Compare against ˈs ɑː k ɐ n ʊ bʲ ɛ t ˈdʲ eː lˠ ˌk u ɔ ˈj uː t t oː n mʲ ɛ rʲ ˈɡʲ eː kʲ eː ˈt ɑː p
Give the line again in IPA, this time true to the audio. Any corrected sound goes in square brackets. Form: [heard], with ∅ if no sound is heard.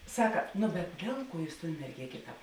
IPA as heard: ˈs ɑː k ɐ n ʊ bʲ ɛ t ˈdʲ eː lˠ ˌk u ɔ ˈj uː [s] t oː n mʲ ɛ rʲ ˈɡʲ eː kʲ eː ˈt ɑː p

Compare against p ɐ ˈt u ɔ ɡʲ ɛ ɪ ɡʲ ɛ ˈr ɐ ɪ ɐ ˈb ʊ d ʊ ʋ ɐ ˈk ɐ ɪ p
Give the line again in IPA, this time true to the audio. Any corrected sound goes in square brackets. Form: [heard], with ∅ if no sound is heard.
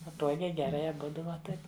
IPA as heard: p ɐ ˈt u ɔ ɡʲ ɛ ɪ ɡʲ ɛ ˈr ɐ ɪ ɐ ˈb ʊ d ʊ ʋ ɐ [ˈt] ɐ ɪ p

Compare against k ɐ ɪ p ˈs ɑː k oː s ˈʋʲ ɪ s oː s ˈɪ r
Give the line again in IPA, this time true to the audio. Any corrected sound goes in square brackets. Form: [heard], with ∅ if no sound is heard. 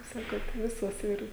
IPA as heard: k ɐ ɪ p ˈs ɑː k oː [t] ˈʋʲ ɪ s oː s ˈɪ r

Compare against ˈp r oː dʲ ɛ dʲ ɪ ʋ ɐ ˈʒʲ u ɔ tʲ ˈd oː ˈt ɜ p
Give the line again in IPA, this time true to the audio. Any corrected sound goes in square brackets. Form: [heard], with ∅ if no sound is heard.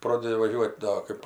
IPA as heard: ˈp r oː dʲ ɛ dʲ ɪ ʋ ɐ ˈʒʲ u ɔ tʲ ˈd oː [ˈk] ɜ p

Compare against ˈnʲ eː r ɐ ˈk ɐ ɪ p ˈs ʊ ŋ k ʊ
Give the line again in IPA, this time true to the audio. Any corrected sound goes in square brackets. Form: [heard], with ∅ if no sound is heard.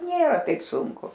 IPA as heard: ˈnʲ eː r ɐ [ˈt] ɐ ɪ p ˈs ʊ ŋ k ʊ

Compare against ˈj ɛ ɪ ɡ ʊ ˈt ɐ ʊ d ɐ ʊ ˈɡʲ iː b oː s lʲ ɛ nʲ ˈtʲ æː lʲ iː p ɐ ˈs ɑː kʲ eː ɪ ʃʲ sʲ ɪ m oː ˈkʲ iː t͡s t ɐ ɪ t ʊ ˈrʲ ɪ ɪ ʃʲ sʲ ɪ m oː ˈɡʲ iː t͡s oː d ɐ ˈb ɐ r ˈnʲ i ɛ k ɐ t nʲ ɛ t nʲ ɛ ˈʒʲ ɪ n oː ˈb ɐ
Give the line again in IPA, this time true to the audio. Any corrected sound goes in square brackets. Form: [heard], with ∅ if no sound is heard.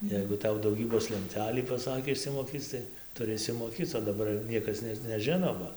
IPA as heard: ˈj ɛ ɪ ɡ ʊ ˈt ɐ ʊ d ɐ ʊ ˈɡʲ iː b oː s lʲ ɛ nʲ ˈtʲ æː lʲ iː p ɐ ˈs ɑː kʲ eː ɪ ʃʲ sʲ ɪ m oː ˈkʲ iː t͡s t ɐ ɪ t ʊ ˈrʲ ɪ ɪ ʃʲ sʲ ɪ m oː [ˈkʲ] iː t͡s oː d ɐ ˈb ɐ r ˈnʲ i ɛ k ɐ [s] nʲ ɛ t nʲ ɛ ˈʒʲ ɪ n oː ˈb ɐ

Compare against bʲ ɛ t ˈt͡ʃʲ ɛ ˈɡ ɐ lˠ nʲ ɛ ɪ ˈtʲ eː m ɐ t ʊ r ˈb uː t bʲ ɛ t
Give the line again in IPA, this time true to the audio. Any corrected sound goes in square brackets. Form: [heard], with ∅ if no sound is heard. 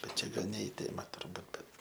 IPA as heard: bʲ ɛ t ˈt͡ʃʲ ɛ ˈɡ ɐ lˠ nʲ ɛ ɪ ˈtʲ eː m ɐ t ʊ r ˈb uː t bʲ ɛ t

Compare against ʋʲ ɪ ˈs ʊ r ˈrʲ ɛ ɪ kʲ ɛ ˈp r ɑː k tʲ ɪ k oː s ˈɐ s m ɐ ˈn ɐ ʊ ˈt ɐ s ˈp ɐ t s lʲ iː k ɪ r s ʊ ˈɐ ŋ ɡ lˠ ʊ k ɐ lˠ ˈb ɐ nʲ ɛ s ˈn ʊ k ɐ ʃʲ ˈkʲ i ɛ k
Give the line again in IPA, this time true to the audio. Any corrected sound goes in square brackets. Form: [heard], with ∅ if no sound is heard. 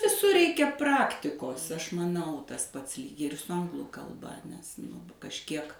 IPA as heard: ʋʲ ɪ ˈs ʊ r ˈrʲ ɛ ɪ kʲ ɛ ˈp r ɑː k tʲ ɪ k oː s ˈɐ [ʃ] m ɐ ˈn ɐ ʊ ˈt ɐ s ˈp ɐ t s lʲ iː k ɪ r s ʊ ˈɐ ŋ ɡ lˠ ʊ k ɐ lˠ ˈb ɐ nʲ ɛ s ˈn ʊ k ɐ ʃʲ ˈkʲ i ɛ k

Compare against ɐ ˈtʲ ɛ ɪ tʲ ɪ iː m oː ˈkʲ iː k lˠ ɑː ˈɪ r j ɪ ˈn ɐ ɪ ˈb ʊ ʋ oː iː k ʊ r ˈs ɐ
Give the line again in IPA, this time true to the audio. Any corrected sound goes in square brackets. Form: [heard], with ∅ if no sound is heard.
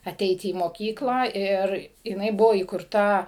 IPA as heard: ɐ ˈtʲ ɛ ɪ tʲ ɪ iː m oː ˈkʲ iː k lˠ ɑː ˈɪ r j ɪ ˈn ɐ ɪ ˈb ʊ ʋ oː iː k ʊ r [ˈt] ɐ

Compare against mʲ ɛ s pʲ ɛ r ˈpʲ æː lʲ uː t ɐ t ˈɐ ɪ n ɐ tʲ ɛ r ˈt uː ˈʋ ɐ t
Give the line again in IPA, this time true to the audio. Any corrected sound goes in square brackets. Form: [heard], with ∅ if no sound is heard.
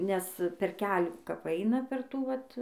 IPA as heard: [nʲ] ɛ s pʲ ɛ r [ˈkʲ] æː lʲ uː [k] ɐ [p] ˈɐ ɪ n ɐ [pʲ] ɛ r ˈt uː ˈʋ ɐ t

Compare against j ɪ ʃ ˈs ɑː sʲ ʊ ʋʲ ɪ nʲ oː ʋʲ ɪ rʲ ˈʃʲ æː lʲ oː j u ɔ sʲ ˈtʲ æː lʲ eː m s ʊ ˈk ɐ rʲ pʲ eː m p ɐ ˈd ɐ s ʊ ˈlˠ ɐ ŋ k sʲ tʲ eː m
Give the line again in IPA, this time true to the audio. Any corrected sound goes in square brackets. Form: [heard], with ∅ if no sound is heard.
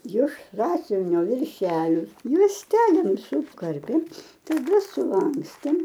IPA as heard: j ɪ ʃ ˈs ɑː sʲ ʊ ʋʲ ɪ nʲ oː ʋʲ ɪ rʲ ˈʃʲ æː lʲ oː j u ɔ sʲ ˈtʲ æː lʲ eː m s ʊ ˈk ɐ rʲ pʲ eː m [t] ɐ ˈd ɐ s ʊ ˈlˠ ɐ ŋ k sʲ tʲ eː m

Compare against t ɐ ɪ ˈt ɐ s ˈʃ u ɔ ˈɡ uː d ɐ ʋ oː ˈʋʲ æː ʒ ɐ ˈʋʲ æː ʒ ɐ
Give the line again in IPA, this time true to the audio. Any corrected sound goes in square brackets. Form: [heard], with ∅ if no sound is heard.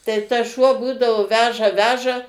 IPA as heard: t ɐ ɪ ˈt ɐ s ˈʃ u ɔ [ˈb] uː d ɐ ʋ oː ˈʋʲ æː ʒ ɐ ˈʋʲ æː ʒ ɐ

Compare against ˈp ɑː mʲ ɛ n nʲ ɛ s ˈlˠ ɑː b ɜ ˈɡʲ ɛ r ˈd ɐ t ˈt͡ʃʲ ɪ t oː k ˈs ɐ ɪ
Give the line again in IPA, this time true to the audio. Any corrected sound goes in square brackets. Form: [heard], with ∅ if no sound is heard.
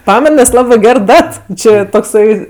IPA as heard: ˈp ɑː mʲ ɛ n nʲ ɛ s ˈlˠ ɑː b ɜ ˈɡʲ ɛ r ˈd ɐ t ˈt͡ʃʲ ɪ t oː k ˈs ɐ ɪ

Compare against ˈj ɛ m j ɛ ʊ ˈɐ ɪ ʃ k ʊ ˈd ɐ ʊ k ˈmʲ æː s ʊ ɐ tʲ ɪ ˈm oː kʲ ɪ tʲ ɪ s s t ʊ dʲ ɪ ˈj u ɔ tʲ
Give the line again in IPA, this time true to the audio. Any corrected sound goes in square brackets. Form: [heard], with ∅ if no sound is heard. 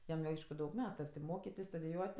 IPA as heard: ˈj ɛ m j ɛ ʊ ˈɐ ɪ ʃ k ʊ ˈd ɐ ʊ k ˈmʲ æː [t] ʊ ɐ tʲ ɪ ˈm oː kʲ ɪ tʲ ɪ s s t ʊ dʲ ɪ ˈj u ɔ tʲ

